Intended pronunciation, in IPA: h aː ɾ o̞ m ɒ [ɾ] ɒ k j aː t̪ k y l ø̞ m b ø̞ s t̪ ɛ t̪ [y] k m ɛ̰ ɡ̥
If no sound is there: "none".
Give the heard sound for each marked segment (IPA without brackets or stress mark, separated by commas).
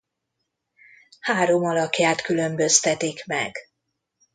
l, i